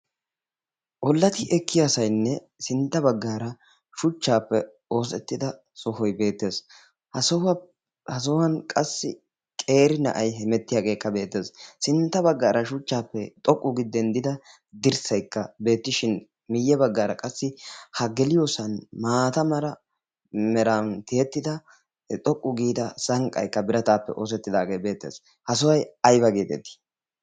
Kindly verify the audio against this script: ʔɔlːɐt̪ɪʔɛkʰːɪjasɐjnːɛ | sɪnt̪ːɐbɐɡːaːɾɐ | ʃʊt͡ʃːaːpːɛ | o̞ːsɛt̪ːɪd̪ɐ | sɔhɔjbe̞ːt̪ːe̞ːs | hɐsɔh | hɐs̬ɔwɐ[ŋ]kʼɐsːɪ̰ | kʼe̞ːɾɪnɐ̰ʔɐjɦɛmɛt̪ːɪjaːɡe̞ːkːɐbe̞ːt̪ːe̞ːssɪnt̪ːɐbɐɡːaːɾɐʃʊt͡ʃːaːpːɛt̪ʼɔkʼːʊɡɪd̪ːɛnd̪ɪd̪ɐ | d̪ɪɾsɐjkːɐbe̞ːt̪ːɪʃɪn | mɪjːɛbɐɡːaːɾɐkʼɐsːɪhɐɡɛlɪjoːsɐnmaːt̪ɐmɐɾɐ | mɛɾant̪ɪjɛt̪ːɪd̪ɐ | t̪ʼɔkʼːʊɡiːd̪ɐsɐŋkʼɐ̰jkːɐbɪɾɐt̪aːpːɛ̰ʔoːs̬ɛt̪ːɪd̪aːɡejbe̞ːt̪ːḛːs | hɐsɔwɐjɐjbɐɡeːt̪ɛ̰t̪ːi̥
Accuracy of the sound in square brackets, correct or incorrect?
incorrect